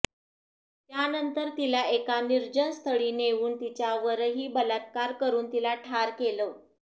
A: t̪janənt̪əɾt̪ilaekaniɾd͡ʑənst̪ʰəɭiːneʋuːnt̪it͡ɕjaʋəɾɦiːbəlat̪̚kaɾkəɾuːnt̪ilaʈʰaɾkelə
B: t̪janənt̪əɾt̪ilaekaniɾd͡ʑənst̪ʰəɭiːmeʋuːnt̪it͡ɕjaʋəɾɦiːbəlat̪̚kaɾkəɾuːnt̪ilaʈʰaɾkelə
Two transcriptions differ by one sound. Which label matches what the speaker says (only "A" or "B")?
A